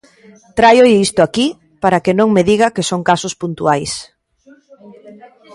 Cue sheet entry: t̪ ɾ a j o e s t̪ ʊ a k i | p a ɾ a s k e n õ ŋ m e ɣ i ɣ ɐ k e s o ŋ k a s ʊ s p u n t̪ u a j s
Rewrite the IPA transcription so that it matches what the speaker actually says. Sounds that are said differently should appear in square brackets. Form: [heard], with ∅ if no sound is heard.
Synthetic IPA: t̪ ɾ a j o [i] s t̪ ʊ a k i | p a ɾ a [∅] k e n õ ŋ m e [ð] i ɣ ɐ k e s o ŋ k a s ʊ s p u n t̪ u a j s